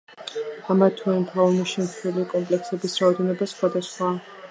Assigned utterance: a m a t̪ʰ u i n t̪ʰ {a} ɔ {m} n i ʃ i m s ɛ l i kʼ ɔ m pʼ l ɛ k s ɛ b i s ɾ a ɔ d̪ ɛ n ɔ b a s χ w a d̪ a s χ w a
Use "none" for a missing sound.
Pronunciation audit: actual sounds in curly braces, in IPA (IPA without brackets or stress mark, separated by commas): a, none